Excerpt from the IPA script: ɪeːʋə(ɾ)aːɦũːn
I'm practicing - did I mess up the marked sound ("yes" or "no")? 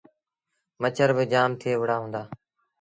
yes